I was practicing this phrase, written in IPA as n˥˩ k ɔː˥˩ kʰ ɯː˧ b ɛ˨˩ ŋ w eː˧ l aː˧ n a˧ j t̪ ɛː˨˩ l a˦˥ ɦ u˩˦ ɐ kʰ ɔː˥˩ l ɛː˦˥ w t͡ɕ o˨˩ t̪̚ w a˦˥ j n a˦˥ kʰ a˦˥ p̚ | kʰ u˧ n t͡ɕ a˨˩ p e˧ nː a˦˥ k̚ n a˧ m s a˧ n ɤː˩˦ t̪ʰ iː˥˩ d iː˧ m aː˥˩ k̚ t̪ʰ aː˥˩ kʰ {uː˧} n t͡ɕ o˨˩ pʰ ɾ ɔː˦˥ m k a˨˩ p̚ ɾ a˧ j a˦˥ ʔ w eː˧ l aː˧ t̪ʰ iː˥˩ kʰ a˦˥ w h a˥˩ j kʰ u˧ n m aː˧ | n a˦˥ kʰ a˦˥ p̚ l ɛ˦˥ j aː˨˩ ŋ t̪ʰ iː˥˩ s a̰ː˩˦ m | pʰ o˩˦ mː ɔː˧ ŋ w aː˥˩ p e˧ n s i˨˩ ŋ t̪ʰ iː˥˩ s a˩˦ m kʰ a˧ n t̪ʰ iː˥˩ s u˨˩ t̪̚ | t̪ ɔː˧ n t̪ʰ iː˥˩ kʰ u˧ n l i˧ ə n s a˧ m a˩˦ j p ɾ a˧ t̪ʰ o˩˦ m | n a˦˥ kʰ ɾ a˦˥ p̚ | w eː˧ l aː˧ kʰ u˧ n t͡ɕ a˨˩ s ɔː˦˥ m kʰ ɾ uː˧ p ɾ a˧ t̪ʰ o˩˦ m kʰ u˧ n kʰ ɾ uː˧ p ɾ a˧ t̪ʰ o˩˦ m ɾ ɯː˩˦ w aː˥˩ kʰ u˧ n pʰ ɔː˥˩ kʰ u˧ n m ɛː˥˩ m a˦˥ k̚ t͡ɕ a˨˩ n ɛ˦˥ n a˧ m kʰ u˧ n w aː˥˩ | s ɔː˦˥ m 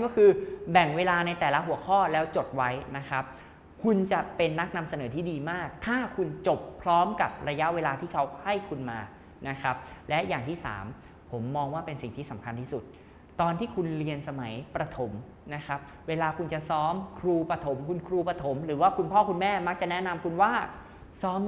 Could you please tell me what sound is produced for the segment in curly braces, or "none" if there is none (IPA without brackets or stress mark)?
u˧